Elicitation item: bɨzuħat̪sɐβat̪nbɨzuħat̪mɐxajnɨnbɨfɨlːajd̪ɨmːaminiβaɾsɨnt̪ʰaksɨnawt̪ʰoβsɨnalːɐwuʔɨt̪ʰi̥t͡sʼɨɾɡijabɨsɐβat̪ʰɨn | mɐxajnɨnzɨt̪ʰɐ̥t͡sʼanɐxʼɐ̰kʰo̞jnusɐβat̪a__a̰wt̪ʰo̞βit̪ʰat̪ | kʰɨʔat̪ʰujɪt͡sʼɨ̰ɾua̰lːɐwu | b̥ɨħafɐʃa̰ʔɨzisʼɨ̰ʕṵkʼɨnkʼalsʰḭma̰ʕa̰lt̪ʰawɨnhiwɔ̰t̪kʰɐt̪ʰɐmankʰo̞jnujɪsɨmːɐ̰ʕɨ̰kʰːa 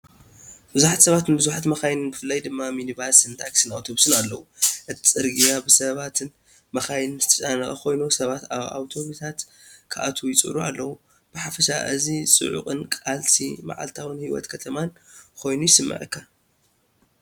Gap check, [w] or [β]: β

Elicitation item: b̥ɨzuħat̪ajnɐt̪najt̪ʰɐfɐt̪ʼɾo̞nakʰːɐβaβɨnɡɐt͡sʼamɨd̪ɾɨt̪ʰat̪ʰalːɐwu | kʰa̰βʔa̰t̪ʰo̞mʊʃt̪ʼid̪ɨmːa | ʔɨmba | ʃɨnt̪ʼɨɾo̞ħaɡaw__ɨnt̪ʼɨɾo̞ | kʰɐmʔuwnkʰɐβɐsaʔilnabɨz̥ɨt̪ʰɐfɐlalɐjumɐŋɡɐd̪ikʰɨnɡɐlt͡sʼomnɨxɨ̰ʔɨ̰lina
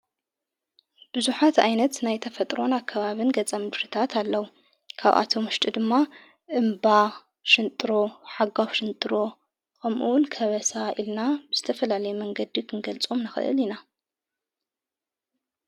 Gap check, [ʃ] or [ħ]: ʃ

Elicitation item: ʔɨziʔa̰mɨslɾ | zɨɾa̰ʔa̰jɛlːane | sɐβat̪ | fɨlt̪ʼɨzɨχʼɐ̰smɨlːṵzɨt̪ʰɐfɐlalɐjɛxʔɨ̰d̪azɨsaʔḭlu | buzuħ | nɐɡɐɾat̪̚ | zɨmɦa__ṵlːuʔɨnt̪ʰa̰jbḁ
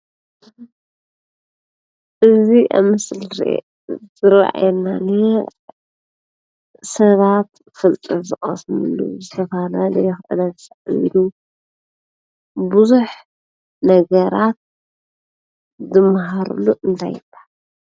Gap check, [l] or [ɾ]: ɾ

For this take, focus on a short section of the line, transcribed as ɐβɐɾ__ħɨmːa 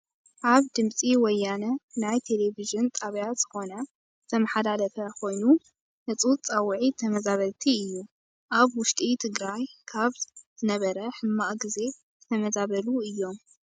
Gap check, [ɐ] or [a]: ɐ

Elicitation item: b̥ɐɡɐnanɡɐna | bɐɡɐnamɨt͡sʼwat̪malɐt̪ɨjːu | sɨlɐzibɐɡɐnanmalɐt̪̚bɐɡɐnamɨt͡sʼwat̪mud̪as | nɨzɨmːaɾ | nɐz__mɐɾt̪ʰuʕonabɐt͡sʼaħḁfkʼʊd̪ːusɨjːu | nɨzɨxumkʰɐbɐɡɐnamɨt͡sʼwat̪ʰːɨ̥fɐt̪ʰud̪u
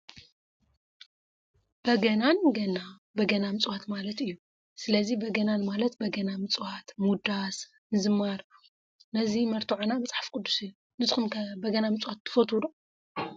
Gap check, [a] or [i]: i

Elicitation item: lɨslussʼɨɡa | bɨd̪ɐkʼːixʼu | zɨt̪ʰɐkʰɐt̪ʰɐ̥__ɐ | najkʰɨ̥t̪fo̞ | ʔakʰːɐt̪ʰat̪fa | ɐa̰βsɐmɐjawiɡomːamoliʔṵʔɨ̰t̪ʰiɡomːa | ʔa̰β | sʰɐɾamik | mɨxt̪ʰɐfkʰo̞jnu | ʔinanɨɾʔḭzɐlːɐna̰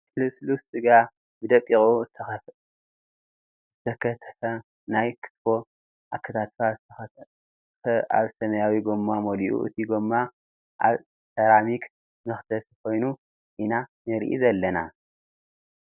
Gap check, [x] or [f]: f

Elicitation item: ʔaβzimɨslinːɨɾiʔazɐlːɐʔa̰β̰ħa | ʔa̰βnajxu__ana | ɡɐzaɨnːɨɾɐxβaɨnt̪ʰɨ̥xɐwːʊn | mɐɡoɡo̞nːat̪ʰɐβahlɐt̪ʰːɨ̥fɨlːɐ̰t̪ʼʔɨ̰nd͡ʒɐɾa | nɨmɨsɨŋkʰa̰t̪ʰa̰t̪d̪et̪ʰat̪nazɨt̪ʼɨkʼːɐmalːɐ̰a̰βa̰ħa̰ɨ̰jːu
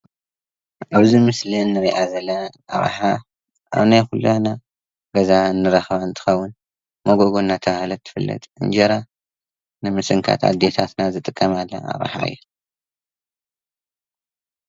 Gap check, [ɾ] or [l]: l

